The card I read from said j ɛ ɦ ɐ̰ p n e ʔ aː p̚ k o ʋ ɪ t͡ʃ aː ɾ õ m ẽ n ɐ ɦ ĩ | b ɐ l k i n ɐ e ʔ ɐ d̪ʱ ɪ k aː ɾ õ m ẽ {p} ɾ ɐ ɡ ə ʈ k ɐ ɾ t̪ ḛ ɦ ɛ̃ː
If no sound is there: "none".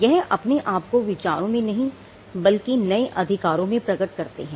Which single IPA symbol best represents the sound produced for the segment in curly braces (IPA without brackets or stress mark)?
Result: p